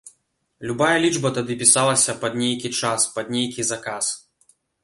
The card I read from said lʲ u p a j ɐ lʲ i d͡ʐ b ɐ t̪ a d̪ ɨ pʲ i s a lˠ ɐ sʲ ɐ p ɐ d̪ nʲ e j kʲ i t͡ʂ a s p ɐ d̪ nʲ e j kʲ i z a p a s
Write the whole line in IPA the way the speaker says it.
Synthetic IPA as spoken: lʲ u b a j ɐ lʲ i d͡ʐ b ɐ t̪ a d̪ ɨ pʲ i s a lˠ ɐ sʲ ɐ p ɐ d̪ nʲ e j kʲ i t͡ʂ a s p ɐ d̪ nʲ e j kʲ i z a k a s